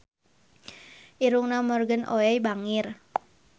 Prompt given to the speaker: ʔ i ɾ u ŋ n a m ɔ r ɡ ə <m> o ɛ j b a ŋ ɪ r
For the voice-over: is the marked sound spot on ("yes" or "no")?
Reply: no